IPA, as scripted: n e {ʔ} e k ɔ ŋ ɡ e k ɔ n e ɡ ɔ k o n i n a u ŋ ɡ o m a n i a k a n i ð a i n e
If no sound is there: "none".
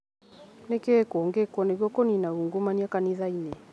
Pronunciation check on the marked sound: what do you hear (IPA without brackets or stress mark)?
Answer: k